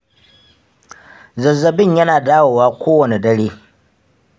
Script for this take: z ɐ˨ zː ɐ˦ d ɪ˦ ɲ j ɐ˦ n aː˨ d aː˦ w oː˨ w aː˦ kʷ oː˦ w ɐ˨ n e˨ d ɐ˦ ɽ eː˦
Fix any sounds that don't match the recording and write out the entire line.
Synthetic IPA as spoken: z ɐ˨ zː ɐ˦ b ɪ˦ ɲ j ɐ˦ n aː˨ d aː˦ w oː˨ w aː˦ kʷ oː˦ w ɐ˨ n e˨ d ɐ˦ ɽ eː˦